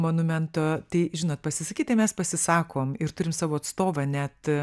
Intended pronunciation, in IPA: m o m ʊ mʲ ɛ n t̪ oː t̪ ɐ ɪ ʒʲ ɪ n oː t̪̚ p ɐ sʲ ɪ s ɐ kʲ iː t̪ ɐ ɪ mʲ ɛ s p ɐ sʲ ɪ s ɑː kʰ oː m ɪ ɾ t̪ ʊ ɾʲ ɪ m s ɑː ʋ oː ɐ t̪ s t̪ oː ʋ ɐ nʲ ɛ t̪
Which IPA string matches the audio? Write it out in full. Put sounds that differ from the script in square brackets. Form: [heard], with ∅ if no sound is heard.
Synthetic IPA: m o [n] ʊ mʲ ɛ n t̪ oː t̪ ɐ ɪ ʒʲ ɪ n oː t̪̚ p ɐ sʲ ɪ s ɐ kʲ iː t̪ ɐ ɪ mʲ ɛ s p ɐ sʲ ɪ s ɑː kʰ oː m ɪ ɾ t̪ ʊ ɾʲ ɪ m s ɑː ʋ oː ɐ t̪ s t̪ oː ʋ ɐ nʲ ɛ t̪

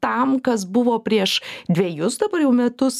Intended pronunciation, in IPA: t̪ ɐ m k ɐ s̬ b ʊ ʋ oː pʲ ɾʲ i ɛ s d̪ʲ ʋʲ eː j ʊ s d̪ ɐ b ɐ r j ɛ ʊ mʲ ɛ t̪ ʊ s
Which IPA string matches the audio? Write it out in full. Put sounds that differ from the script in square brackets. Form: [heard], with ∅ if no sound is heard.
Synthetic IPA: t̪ ɐ m k ɐ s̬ b ʊ ʋ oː pʲ ɾʲ i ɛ [ʃ] d̪ʲ ʋʲ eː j ʊ s d̪ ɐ b ɐ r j ɛ ʊ mʲ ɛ t̪ ʊ s

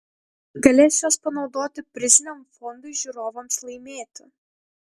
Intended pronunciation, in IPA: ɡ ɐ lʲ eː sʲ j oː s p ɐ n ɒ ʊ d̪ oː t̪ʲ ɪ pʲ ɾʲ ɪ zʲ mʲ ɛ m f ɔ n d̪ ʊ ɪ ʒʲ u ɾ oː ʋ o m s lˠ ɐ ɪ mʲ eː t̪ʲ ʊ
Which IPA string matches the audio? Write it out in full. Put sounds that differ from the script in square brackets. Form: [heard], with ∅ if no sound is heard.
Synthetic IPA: ɡ ɐ lʲ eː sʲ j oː s p ɐ n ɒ ʊ d̪ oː t̪ʲ ɪ pʲ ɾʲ ɪ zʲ [nʲ] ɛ m f ɔ n d̪ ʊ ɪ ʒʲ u ɾ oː ʋ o m s lˠ ɐ ɪ mʲ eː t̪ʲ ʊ

